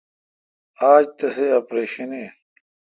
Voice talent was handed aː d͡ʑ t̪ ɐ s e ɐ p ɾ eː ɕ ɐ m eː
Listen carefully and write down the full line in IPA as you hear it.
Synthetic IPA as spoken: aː d͡ʑ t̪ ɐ s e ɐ p ɾ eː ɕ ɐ n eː